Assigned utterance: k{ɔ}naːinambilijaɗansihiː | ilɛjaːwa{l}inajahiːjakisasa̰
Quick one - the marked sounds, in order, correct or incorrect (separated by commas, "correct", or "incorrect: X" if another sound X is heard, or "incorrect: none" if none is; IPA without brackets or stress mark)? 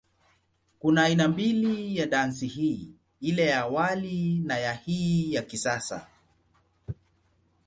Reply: incorrect: u, correct